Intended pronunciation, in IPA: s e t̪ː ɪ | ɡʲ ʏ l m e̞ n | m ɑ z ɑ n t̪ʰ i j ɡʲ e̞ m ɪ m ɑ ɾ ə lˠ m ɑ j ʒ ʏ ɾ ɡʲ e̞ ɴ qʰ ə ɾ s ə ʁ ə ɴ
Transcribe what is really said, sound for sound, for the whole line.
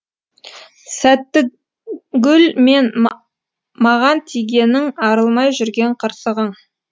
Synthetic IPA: s æ t̪ː ɪ | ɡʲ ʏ l m e̞ n | m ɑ ʁ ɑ n t̪ʰ i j ɡʲ e̞ n ɪ ŋ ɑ ɾ ə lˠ m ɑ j ʒ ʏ ɾ ɡʲ e̞ ɴ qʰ ə ɾ s ə ʁ ə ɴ